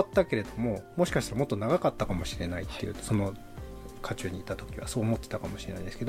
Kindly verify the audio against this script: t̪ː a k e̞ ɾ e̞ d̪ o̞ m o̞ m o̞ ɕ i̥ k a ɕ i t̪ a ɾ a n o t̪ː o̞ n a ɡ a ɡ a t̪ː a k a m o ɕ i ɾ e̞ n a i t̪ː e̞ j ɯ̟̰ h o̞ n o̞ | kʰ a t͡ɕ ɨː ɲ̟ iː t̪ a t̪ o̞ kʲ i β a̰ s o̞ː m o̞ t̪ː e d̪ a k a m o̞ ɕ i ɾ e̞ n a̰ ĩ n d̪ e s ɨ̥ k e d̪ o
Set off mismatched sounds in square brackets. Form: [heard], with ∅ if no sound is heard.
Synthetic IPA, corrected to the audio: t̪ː a k e̞ ɾ e̞ d̪ o̞ m o̞ m o̞ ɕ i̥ k a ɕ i t̪ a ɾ a [m] o t̪ː o̞ n a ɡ a [k] a t̪ː a k a m o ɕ i ɾ e̞ n a i t̪ː e̞ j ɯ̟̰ [s] o̞ n o̞ | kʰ a t͡ɕ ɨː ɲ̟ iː t̪ a t̪ o̞ kʲ i β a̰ s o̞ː m o̞ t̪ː e [t̪] a k a m o̞ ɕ i ɾ e̞ n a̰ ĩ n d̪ e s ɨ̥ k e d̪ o